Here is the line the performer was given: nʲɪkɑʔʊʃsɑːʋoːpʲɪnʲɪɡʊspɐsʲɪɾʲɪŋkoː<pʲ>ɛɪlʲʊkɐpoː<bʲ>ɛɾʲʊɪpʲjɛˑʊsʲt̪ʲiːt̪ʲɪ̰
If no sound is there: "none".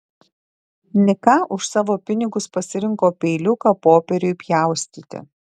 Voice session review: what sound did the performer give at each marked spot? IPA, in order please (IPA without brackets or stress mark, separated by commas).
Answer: pʲ, pʲ